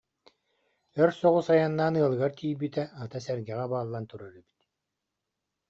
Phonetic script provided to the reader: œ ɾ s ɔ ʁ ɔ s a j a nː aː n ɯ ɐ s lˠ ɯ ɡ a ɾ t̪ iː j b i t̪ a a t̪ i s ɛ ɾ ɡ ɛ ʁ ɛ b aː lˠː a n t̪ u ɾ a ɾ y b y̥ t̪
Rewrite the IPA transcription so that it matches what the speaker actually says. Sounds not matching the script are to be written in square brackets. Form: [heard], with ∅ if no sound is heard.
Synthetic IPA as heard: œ ɾ s ɔ ʁ [u] s a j a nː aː n ɯ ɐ [∅] lˠ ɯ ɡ a ɾ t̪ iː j b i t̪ [ɛ] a t̪ [a] s ɛ ɾ ɡ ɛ ʁ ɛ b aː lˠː a n t̪ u ɾ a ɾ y b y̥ t̪